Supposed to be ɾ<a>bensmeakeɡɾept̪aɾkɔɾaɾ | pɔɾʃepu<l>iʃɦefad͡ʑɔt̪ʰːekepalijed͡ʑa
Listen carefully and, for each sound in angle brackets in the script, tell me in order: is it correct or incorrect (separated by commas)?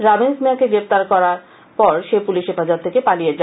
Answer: correct, correct